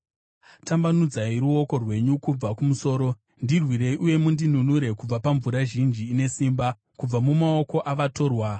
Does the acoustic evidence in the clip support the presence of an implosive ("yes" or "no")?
no